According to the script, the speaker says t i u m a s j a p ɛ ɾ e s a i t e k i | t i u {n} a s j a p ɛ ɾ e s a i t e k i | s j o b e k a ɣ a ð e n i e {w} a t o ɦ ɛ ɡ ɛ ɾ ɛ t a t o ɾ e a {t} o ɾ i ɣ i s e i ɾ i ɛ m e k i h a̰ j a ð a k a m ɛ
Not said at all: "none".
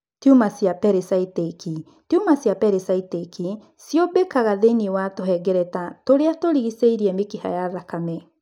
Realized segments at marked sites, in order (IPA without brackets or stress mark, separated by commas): m, w, t